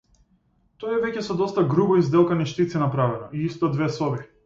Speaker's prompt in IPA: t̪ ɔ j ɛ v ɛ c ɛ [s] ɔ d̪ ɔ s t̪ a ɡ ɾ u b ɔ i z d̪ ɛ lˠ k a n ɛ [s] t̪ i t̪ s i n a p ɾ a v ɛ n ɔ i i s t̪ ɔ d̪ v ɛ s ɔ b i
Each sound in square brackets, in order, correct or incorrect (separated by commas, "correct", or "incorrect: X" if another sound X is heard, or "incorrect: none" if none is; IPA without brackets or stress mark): correct, incorrect: ʃ